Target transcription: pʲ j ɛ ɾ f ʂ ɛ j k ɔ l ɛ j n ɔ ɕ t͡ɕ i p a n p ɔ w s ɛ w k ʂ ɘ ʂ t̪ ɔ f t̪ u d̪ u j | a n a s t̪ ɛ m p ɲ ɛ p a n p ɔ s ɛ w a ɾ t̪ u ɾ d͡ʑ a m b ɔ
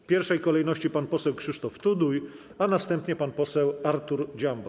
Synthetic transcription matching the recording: pʲ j ɛ ɾ f ʂ ɛ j k ɔ l ɛ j n ɔ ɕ t͡ɕ i p a n p ɔ s ɛ w k ʂ ɘ ʂ t̪ ɔ f t̪ u d̪ u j | a n a s t̪ ɛ m p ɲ ɛ p a n p ɔ s ɛ w a ɾ t̪ u ɾ d͡ʑ a m b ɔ